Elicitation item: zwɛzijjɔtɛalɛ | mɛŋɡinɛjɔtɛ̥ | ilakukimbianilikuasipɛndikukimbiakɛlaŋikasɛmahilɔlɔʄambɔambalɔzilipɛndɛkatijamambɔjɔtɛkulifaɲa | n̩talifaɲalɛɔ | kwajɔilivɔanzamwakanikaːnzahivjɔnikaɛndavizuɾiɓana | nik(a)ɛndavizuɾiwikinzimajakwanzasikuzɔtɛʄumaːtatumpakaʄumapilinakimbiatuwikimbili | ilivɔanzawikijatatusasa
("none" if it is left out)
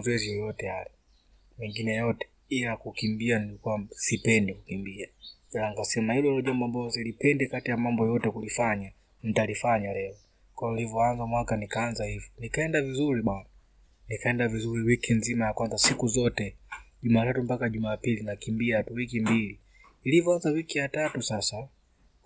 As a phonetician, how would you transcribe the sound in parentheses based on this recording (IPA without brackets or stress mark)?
a